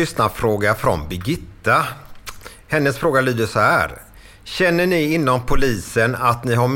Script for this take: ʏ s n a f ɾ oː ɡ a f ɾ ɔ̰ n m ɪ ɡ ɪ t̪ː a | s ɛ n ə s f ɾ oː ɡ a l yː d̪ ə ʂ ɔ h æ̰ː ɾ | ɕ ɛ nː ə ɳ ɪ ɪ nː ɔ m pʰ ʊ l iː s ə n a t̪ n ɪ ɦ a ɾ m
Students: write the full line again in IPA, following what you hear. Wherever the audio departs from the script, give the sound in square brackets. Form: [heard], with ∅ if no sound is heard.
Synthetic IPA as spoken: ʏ s n a f ɾ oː ɡ a f ɾ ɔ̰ n [b] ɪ ɡ ɪ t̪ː a | [h] ɛ [nː] ə s f ɾ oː ɡ a l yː d̪ ə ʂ ɔ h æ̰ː ɾ | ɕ ɛ nː ə ɳ ɪ ɪ nː ɔ m pʰ ʊ l iː s ə n a t̪ n ɪ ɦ a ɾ m